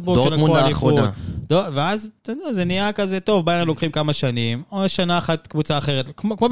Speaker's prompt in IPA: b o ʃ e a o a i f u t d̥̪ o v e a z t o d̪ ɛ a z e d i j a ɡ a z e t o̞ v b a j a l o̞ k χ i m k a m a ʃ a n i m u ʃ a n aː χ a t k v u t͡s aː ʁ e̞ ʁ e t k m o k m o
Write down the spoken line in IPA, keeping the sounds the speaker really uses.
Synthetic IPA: b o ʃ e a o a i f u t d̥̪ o v e a z t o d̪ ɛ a z e n i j a k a z e t o̞ v b a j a l o̞ k χ i m k a m a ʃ a n i m o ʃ a n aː χ a t k v u t͡s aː χ e̞ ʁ e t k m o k m o